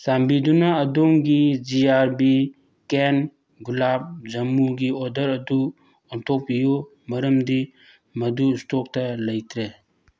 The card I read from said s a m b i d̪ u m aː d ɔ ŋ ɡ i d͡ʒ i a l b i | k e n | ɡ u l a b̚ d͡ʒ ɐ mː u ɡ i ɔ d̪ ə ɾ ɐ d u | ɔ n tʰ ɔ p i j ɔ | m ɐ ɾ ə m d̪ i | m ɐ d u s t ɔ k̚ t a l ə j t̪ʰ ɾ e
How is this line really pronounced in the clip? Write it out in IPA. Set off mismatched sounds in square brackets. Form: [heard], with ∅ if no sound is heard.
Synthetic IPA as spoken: s a m b i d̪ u [n] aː d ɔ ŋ ɡ i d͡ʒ i a [ɾ] b i | k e n | ɡ u l a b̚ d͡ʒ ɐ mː u ɡ i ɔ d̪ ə ɾ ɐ d u | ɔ n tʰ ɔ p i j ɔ | m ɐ ɾ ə m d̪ i | m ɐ d u s t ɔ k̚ t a l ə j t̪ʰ ɾ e

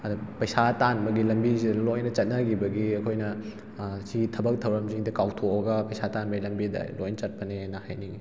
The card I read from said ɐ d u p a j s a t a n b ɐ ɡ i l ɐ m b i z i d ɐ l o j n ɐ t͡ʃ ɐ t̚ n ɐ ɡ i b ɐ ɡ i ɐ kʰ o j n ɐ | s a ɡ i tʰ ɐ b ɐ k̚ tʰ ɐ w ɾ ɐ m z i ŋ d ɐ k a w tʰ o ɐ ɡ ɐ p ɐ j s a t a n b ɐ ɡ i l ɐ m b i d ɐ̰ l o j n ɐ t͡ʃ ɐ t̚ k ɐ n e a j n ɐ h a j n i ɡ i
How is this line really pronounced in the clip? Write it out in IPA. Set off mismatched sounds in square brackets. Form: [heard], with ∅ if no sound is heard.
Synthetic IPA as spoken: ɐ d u p [ɐ] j s a t a n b ɐ ɡ i l ɐ m b i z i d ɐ l o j n ɐ t͡ʃ ɐ t̚ n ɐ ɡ i b ɐ ɡ i ɐ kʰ o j n ɐ | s [i] ɡ i tʰ ɐ b ɐ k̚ tʰ ɐ w ɾ ɐ m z i ŋ d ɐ k a w tʰ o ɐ ɡ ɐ p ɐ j s a t a n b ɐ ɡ i l ɐ m b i d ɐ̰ l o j n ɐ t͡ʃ ɐ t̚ [p] ɐ n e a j n ɐ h a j n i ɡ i

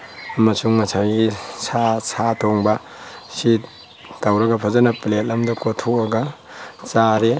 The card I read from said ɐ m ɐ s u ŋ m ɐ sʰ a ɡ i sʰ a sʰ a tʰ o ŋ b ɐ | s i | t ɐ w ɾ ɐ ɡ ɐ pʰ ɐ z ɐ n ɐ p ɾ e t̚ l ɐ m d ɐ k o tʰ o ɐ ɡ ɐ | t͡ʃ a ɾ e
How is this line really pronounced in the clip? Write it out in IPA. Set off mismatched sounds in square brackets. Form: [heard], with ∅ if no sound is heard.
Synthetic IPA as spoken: ɐ m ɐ s u ŋ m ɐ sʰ a ɡ i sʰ a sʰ a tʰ o ŋ b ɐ | s i | t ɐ w ɾ ɐ ɡ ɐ pʰ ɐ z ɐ n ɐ p [l] e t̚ l ɐ m d ɐ k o tʰ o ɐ ɡ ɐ | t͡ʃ a ɾ e

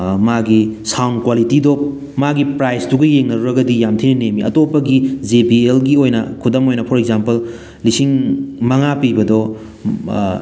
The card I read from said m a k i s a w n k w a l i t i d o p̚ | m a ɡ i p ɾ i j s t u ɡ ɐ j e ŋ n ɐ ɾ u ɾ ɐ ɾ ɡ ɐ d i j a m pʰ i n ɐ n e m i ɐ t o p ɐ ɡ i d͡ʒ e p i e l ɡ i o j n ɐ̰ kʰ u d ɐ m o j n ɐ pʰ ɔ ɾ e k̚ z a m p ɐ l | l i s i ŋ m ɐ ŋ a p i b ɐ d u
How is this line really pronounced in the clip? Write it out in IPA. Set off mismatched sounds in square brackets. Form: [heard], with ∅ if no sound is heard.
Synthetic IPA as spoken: m a [ɡ] i s a w n k w a l i t i d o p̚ | m a ɡ i p ɾ [a] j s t u ɡ ɐ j e ŋ n ɐ ɾ u ɾ ɐ [∅] ɡ ɐ d i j a m [tʰ] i n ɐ n e m i ɐ t o p ɐ ɡ i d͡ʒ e p i e l ɡ i o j n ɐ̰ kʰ u d ɐ m o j n ɐ pʰ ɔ ɾ e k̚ z a m p ɐ l | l i s i ŋ m ɐ ŋ a p i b ɐ d [ɔ]

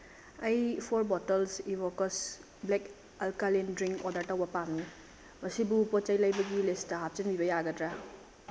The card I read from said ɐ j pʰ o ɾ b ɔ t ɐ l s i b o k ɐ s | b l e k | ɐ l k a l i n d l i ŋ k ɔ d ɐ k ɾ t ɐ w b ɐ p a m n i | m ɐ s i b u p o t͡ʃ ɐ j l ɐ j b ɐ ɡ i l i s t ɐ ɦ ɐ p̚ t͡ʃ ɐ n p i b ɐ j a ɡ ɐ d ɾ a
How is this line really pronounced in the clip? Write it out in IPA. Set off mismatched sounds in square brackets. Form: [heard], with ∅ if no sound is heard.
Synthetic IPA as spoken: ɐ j pʰ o ɾ b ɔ t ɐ l s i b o k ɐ s | b l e k | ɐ l k a l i n d [ɾ] i ŋ k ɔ d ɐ [∅] ɾ t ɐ w b ɐ p a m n i | m ɐ s i b u p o t͡ʃ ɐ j l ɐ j b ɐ ɡ i l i s t ɐ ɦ [a] p̚ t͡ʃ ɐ n [b] i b ɐ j a ɡ ɐ d ɾ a

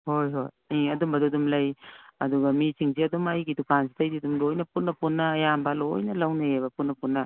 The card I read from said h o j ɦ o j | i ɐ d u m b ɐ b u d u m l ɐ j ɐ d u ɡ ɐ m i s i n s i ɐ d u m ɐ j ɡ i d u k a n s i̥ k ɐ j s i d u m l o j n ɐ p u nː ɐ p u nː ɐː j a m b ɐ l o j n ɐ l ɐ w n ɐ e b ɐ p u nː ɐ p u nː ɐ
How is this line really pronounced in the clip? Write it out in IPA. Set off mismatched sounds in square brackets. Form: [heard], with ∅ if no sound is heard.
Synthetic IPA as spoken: h o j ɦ o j | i ɐ d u m b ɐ [d] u d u m l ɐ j ɐ d u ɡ ɐ m i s i [ŋ] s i ɐ d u m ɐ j ɡ i d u k a n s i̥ [t] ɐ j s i d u m l o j n ɐ p u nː ɐ p u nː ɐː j a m b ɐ l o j n ɐ l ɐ w n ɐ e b ɐ p u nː ɐ p u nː ɐ

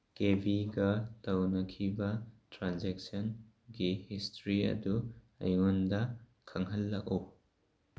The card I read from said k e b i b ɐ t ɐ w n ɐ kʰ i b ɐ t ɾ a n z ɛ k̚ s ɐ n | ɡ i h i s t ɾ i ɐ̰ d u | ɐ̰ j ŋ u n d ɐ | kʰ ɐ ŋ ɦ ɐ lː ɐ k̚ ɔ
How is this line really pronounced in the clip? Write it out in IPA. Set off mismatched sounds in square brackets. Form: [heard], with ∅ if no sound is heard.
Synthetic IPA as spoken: k e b i [ɡ] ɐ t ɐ w n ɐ kʰ i b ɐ t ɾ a n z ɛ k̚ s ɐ n | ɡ i h i s t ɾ i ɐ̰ d u | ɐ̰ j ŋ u n d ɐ | kʰ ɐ ŋ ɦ ɐ lː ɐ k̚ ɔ

